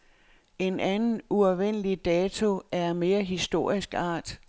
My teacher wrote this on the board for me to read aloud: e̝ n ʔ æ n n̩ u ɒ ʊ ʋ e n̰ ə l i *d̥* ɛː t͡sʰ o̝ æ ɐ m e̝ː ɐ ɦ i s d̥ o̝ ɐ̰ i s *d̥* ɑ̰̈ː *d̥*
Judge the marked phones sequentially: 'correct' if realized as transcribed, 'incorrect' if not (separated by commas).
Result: correct, incorrect, correct